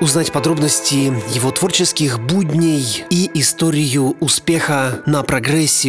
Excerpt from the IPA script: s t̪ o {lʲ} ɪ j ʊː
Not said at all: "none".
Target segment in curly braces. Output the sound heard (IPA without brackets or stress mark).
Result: ɾʲ